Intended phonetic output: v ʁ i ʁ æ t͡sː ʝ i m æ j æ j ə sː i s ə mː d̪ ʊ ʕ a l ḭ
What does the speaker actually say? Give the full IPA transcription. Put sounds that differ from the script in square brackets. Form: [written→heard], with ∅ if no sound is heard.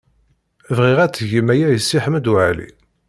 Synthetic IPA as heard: v ʁ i ʁ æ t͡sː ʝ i m æ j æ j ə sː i [s→ħ] ə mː d̪ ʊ ʕ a l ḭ